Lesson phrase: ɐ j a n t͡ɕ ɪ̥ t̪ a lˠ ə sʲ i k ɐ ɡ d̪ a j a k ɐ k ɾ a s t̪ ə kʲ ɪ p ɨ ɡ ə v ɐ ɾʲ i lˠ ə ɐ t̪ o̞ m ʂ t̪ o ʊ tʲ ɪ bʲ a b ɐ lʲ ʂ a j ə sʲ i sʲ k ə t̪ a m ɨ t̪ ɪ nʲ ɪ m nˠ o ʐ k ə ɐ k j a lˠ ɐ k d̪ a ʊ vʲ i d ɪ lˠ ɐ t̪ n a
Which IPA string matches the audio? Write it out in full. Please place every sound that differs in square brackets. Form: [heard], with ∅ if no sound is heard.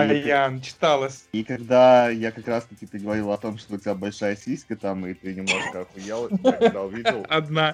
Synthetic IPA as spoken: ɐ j a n t͡ɕ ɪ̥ t̪ a lˠ ə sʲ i k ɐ ɡ d̪ a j a k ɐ k ɾ a s t̪ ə kʲ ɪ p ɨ ɡ ə v ɐ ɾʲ i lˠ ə ɐ t̪ o̞ m ʂ t̪ o ʊ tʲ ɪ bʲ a b ɐ lʲ ʂ a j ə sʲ i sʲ k ə t̪ a m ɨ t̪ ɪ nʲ ɪ m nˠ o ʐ k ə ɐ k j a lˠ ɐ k d̪ a ʊ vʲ i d ɪ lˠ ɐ [d̪] n a